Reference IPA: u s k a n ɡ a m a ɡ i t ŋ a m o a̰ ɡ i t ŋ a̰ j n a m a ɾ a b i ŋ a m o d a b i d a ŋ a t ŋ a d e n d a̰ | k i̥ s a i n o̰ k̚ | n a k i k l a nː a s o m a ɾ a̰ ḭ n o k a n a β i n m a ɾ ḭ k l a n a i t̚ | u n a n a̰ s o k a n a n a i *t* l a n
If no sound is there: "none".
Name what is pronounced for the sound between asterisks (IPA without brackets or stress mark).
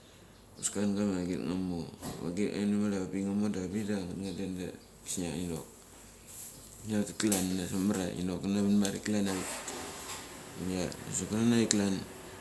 k